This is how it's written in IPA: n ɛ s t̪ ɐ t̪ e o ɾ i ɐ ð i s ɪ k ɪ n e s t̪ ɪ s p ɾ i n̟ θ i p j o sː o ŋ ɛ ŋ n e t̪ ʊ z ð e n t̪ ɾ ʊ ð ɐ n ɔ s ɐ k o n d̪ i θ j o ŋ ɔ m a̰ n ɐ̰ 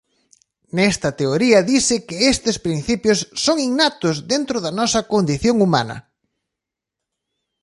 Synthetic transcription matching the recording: n ɛ s t̪ ɐ t̪ e o ɾ i ɐ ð i s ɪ k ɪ e s t̪ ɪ s p ɾ i n̟ θ i p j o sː o ŋ i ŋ n a t̪ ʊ z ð e n t̪ ɾ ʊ ð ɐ n ɔ s ɐ k o n d̪ i θ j o ŋ u m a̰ n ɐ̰